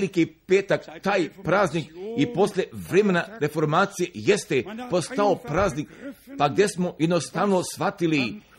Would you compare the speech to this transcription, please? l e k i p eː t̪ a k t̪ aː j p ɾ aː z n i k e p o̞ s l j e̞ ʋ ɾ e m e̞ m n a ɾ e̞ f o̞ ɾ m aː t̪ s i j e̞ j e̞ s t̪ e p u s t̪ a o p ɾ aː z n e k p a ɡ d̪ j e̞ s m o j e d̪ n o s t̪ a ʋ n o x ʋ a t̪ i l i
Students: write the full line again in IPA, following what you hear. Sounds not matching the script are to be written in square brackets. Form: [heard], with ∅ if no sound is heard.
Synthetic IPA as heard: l [i] k i p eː t̪ a k t̪ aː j p ɾ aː z n i k [i] p o̞ s l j e̞ ʋ ɾ e m e̞ [∅] n a ɾ e̞ f o̞ ɾ m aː t̪ s i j e̞ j e̞ s t̪ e p [o] s t̪ a o p ɾ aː z n [i] k p a ɡ d̪ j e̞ s m o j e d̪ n o s t̪ a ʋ n o [s] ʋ a t̪ i l i